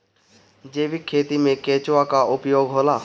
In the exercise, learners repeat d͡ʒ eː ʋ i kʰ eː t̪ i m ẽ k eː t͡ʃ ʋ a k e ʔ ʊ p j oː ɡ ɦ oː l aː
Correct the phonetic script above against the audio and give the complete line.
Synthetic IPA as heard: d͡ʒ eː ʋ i kʰ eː t̪ i m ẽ k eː t͡ʃ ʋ a k a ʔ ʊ p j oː ɡ ɦ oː l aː

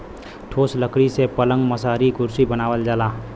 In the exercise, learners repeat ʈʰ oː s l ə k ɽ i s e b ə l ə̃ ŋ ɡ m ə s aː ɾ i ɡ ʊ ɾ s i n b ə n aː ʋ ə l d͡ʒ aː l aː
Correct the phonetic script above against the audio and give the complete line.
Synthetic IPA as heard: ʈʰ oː s l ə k ɽ i s e p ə l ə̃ ŋ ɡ m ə s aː ɾ i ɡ ʊ ɾ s i b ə n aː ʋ ə l d͡ʒ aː l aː

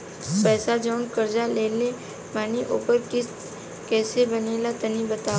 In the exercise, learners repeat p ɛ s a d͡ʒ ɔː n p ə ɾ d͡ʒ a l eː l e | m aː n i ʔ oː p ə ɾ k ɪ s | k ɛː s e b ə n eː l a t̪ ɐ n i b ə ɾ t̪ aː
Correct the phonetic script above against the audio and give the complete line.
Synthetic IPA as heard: p ɛː s a d͡ʒ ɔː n k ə ɾ d͡ʒ a l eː l e | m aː n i ʔ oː p ə ɾ k ɪ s | k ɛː s e b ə n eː l a t̪ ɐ n i b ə t̪ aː

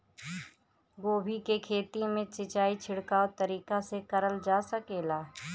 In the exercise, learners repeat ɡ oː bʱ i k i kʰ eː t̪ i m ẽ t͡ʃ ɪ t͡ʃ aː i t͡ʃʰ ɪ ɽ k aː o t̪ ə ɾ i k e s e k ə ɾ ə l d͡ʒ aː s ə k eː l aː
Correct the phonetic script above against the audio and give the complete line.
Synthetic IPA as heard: ɡ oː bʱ i k e kʰ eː t̪ i m ẽ t͡ʃ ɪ t͡ʃ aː i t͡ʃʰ ɪ ɽ k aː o t̪ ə ɾ iː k a s e k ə ɾ ə l d͡ʒ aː s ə k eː l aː

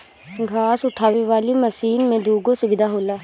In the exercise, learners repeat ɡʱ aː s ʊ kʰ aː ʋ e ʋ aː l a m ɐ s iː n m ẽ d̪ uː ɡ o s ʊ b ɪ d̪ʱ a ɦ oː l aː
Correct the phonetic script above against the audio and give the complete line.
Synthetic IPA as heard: ɡʱ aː s ʊ ʈʰ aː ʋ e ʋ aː l i m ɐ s iː n m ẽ d̪ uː ɡ o s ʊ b ɪ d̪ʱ a ɦ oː l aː

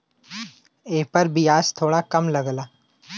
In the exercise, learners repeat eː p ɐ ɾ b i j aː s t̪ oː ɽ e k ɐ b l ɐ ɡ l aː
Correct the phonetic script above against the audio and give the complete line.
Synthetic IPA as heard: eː p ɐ ɾ b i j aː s t̪ʰ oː ɽ a k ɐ m l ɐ ɡ l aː

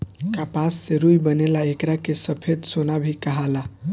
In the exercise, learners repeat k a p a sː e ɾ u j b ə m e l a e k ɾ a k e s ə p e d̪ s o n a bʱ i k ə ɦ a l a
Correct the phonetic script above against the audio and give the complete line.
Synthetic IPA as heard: k a p a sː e ɾ u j b ə n e l a e k ɾ a k e s ə pʰ e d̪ s o n a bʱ i k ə ɦ a l a

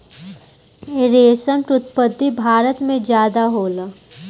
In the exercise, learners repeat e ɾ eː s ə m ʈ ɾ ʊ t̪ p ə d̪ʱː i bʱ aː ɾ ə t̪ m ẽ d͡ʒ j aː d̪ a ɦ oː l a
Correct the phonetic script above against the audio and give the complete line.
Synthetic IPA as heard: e ɾ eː s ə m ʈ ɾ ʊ t̪ p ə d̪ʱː i bʱ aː ɾ ə t̪ m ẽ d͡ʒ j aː d̪ a ɦ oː l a

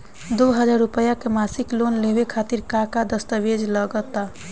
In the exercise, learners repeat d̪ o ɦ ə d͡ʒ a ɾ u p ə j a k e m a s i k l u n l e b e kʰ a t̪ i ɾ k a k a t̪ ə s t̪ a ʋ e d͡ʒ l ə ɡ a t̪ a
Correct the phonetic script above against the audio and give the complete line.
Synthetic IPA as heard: d̪ o ɦ ə d͡ʒ a ɾ u p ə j a k e m a s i k l o n l e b e kʰ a t̪ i ɾ k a k a d̪ ə s t̪ ə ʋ e d͡ʒ l ə ɡ ə t̪ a

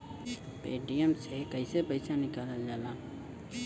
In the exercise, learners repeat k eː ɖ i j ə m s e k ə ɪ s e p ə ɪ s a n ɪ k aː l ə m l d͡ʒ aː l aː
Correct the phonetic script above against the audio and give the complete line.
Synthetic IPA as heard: p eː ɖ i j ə m s e k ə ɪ s e p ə ɪ s a n ɪ k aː l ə l d͡ʒ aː l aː

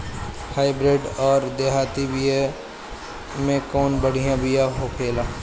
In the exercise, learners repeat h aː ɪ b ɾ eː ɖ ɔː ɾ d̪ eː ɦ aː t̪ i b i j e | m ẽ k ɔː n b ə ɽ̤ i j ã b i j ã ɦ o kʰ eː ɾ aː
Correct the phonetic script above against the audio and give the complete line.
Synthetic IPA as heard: h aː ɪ b ɾ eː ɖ ɔː ɾ d̪ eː ɦ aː t̪ i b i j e | m ẽ k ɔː n b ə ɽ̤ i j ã b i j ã ɦ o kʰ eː l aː

